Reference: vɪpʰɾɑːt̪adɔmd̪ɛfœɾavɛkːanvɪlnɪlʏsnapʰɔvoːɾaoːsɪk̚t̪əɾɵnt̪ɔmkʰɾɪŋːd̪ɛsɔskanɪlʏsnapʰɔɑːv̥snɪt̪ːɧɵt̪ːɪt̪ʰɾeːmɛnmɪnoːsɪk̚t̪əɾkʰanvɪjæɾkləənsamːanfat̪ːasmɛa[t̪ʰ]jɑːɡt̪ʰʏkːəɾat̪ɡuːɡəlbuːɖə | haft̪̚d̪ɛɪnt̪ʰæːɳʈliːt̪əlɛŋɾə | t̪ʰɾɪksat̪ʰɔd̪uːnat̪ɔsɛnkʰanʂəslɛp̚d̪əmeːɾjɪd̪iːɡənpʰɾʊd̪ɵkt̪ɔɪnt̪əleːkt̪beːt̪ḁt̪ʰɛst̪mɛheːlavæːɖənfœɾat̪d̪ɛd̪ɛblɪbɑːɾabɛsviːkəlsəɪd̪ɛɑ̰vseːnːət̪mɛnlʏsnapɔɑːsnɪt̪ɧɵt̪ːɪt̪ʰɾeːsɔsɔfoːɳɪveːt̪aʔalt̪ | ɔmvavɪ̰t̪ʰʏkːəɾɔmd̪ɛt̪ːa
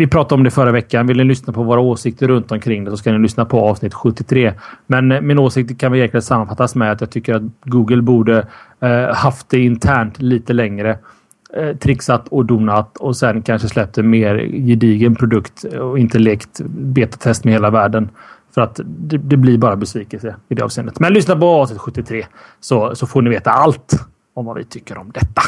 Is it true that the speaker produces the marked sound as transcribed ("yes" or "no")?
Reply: no